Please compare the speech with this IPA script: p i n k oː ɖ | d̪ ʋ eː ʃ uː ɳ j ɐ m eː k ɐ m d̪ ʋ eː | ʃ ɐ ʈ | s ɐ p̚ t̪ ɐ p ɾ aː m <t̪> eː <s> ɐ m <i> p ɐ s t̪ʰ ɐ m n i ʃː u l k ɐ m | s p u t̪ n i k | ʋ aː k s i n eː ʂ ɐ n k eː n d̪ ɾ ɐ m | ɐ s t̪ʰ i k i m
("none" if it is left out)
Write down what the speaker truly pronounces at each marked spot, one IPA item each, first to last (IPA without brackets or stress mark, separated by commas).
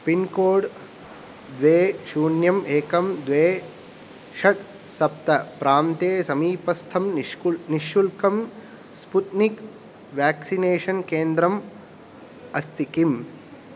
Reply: t̪, s, iː